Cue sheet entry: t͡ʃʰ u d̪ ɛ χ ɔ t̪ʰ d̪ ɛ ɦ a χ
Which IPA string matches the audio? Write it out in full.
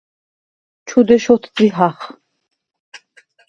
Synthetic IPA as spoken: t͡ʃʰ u d̪ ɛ ʃ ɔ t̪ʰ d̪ i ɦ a χ